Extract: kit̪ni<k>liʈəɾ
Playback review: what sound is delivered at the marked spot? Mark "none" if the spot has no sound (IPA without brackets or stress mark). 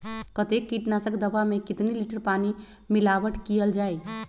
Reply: none